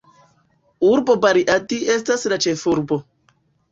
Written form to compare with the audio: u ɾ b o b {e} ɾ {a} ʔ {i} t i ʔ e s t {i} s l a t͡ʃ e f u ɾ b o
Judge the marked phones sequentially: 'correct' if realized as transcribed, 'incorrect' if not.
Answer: incorrect: a, incorrect: i, incorrect: a, incorrect: a

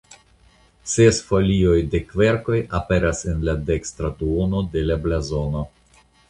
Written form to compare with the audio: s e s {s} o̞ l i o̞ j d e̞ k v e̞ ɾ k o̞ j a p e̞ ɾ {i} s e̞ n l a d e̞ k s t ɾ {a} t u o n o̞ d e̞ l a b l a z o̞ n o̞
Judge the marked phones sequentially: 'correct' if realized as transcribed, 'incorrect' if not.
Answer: incorrect: f, incorrect: a, correct

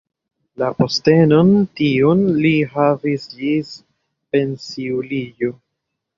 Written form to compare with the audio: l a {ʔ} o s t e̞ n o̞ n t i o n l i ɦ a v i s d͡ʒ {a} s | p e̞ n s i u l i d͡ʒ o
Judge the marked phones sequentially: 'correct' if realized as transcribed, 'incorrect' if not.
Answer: incorrect: p, incorrect: i

